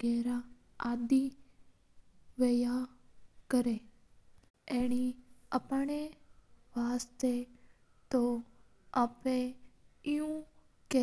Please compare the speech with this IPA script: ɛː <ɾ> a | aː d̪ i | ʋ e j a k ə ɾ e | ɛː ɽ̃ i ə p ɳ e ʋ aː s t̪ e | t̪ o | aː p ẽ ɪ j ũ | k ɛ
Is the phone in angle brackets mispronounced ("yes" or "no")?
no